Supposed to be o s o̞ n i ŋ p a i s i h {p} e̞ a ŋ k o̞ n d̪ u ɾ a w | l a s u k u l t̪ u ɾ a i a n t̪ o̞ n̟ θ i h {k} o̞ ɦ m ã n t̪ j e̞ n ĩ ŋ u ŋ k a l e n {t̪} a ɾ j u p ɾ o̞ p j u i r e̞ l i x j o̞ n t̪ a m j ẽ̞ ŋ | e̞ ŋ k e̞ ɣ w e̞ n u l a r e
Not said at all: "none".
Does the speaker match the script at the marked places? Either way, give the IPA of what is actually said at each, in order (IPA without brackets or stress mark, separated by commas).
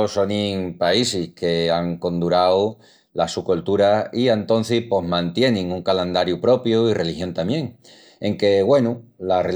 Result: k, p, d̪